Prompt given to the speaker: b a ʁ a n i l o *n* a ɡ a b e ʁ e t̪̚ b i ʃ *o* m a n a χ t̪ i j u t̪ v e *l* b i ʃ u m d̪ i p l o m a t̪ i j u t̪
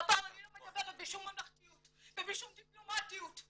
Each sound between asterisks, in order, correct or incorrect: incorrect: m, incorrect: u, incorrect: none

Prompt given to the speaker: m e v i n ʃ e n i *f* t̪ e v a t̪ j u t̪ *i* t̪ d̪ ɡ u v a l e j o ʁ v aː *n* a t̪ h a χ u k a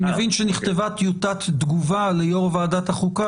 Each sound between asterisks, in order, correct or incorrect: incorrect: χ, incorrect: a, incorrect: d

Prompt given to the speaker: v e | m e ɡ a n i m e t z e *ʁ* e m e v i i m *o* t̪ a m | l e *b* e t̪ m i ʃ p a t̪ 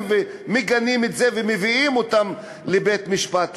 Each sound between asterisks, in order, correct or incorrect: incorrect: v, correct, correct

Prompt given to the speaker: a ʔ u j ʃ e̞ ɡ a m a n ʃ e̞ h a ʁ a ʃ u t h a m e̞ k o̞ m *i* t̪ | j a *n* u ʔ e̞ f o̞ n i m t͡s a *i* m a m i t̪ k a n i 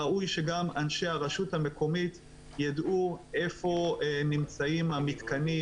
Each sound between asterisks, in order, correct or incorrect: correct, incorrect: d, correct

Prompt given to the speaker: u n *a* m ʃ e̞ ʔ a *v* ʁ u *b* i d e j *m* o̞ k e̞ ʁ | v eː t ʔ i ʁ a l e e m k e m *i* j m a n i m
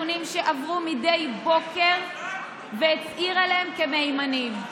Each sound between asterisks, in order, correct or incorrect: incorrect: i, correct, incorrect: m, incorrect: b, incorrect: e

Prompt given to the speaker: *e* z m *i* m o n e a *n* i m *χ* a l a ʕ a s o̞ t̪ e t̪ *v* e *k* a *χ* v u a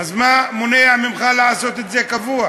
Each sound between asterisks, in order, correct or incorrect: incorrect: a, incorrect: a, incorrect: m, correct, incorrect: z, correct, incorrect: none

